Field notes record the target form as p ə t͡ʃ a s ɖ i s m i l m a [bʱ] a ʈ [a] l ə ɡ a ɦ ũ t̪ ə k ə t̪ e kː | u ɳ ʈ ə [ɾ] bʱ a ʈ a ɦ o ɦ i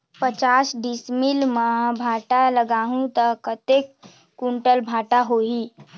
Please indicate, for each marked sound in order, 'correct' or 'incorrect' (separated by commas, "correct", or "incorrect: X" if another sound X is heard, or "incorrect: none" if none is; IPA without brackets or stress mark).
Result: correct, correct, incorrect: l